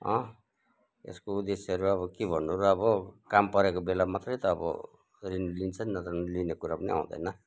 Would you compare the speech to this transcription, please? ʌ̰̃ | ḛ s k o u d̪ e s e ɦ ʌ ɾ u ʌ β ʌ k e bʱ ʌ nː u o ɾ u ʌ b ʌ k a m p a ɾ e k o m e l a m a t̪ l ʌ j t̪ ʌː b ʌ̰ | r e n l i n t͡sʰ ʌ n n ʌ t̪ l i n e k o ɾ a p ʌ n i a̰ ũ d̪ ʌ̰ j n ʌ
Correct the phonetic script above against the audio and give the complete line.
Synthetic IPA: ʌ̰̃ | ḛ s k o u d̪ e s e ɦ ʌ ɾ u ʌ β ʌ k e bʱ ʌ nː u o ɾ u ʌ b ʌ k a m p ʌ ɾ e k o b e l a m a t̪ r ʌ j t̪ ʌː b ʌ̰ | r i n l i n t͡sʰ ʌ n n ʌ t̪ l i n e k u ɾ a p ʌ n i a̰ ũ d̪ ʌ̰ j n ʌ